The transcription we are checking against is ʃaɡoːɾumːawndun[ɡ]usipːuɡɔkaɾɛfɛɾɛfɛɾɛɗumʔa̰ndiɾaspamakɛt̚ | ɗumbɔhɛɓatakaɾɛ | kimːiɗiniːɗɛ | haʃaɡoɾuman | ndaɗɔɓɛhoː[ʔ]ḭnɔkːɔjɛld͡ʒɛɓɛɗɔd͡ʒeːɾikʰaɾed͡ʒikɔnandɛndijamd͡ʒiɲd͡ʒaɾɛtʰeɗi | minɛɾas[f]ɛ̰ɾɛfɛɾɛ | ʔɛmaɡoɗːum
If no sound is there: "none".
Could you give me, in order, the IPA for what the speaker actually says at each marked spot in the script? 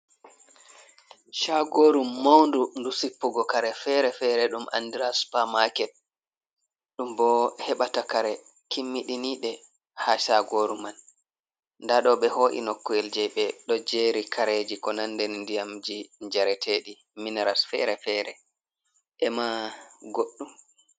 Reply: d, ʔ, f

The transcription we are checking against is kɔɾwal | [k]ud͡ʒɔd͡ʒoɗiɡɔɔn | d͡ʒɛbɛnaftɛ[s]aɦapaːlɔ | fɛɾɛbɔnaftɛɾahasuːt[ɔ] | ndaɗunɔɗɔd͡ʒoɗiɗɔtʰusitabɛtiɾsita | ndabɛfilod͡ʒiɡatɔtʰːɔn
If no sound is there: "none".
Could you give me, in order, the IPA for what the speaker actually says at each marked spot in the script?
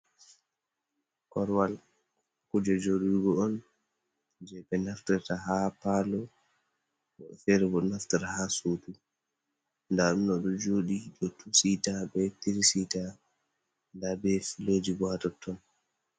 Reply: k, t, u

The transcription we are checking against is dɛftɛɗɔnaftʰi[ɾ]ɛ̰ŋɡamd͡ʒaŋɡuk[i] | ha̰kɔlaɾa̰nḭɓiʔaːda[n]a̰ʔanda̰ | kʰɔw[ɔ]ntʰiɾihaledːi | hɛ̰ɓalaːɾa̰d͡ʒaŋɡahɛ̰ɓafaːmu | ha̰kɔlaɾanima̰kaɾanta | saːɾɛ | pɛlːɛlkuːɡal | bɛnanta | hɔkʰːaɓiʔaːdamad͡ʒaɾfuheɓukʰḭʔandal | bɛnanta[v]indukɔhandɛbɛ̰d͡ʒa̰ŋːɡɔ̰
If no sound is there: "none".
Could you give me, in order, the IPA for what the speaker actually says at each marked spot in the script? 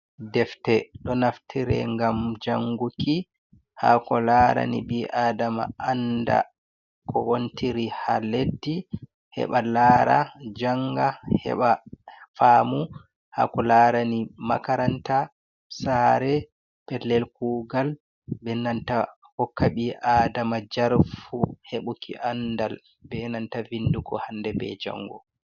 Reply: ɾ, i, m, o, v

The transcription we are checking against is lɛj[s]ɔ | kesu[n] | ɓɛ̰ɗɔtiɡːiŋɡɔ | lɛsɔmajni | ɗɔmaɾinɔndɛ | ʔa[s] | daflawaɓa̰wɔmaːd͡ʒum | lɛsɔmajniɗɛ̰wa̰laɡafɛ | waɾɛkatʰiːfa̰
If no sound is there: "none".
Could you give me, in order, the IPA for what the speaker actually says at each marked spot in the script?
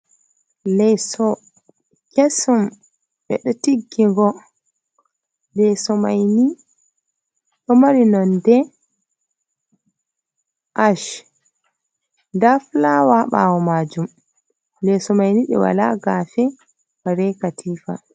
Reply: s, m, ʃ

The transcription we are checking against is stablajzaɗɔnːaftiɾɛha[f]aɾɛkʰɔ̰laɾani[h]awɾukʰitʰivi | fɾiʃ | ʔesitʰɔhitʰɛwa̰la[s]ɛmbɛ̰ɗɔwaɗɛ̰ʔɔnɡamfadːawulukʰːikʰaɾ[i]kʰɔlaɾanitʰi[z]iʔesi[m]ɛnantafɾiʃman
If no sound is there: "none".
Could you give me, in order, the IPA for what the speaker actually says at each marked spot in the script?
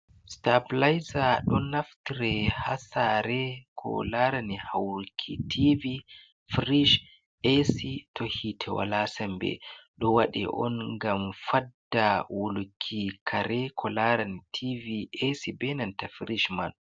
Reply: s, h, s, ɛ, v, b

